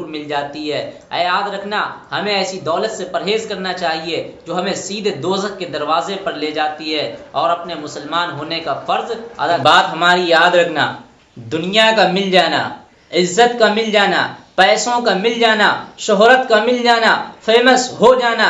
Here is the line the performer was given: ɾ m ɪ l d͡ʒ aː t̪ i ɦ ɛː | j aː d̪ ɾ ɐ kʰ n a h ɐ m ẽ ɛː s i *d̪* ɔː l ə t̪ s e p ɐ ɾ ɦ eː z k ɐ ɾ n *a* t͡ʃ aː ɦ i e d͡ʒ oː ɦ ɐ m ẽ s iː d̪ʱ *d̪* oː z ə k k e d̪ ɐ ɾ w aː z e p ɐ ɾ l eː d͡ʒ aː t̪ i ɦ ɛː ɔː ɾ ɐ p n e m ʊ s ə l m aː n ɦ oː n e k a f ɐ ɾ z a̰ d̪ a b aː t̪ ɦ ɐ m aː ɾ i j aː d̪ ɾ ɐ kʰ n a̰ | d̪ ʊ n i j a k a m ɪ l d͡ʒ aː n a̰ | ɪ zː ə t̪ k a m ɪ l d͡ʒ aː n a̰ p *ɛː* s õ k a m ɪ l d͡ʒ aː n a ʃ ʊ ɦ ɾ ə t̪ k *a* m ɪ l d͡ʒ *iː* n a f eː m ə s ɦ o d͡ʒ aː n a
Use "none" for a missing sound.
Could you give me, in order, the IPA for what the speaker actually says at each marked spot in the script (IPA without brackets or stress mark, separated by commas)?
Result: d̪, a, d̪, ɛː, a, aː